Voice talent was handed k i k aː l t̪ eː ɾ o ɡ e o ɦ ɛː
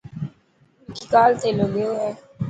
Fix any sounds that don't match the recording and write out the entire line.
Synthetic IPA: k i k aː l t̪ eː l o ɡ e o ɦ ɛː

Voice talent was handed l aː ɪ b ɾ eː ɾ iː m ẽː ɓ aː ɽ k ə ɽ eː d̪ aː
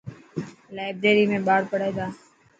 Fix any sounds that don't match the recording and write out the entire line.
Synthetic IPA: l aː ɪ b ɾ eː ɾ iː m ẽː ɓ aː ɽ p ə ɽ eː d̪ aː

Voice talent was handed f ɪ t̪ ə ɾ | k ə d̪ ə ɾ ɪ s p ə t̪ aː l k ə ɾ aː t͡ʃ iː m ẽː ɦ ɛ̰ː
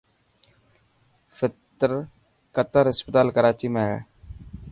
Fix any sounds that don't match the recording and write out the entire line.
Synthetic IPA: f ɪ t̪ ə ɾ | k ə t̪ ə ɾ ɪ s p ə t̪ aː l k ə ɾ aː t͡ʃ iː m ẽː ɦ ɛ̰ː

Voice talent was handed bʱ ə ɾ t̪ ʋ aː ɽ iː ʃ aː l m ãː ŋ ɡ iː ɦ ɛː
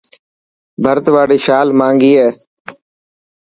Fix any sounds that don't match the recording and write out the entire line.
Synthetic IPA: bʱ ə ɾ t̪ ʋ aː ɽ iː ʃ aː l m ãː ŋ ɡ iː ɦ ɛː

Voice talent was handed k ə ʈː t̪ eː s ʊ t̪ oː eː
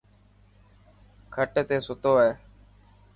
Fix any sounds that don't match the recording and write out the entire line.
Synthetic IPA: kʰ ə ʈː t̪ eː s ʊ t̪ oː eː

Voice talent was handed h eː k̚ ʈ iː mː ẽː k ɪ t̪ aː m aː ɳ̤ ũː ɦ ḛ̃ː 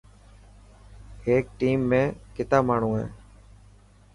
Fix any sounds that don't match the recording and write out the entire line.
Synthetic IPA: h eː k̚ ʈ iː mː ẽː k ɪ t̪ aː m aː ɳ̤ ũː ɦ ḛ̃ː

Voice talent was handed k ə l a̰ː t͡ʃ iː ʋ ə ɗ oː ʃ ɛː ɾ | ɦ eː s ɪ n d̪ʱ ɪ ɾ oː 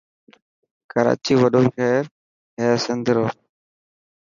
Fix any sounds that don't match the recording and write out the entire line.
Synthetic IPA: k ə ɾ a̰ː t͡ʃ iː ʋ ə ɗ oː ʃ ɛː ɾ | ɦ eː s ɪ n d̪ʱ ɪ ɾ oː

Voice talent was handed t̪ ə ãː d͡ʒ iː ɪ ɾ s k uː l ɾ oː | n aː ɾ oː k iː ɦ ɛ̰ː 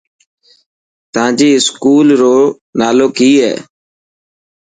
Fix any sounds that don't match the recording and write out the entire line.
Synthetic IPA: t̪ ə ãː d͡ʒ iː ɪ s k uː l ɾ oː | n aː l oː k iː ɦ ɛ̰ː

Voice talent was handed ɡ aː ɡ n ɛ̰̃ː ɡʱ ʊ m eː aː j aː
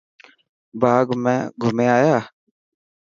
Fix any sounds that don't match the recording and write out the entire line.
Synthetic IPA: b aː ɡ m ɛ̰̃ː ɡʱ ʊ m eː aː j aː

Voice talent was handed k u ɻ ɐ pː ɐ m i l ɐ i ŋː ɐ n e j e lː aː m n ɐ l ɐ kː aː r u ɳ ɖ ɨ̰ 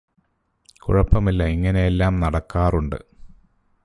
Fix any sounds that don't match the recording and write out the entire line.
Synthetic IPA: k u ɻ ɐ pː ɐ m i lː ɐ i ŋː ɐ n e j e lː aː m n ɐ ɽ ɐ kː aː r u ɳ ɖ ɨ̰

